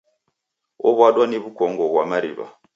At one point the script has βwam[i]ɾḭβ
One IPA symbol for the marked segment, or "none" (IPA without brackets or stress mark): a